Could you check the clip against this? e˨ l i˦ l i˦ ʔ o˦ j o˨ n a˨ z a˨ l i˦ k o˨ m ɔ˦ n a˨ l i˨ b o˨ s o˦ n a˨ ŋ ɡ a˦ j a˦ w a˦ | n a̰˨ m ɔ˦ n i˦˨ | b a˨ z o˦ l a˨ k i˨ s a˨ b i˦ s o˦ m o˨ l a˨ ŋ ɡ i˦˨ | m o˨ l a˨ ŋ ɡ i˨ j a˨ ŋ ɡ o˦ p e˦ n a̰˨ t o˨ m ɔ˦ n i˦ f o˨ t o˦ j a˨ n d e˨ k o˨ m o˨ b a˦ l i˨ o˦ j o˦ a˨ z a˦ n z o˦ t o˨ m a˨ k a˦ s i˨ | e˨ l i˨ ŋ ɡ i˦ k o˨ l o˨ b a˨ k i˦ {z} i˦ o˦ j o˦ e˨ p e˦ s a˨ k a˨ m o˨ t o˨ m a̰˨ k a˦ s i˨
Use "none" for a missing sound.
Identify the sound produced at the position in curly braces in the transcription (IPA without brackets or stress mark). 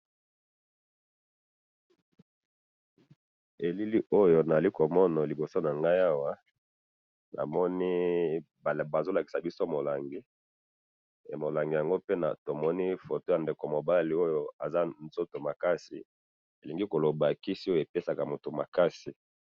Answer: s